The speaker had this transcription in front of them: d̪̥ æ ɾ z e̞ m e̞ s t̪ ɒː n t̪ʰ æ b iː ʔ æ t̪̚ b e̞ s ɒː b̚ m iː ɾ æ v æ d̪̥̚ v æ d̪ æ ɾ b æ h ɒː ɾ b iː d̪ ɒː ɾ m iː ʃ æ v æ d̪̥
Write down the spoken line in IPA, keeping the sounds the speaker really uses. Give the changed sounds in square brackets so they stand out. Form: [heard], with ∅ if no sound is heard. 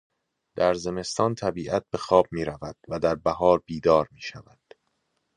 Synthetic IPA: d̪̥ æ ɾ z e̞ m e̞ s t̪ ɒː n t̪ʰ æ b iː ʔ æ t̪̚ b e̞ [x] ɒː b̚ m iː ɾ æ v æ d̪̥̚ v æ d̪ æ ɾ b æ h ɒː ɾ b iː d̪ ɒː ɾ m iː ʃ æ v æ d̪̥